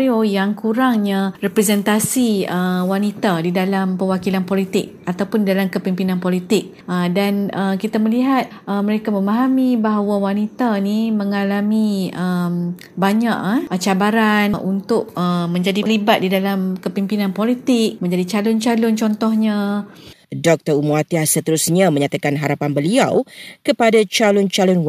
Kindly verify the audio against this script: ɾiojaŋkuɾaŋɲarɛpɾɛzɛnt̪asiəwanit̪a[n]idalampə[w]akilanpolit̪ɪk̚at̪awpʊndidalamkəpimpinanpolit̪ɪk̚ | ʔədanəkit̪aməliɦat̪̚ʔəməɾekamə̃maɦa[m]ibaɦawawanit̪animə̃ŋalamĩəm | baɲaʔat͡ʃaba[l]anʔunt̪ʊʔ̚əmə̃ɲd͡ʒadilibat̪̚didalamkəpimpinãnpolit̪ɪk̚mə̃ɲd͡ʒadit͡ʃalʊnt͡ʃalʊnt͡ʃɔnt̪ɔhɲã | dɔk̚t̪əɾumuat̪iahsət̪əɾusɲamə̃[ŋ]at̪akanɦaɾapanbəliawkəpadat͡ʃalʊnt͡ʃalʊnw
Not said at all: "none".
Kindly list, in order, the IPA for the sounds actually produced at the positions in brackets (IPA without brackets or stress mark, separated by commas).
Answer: d, w, m, ɾ, ɲ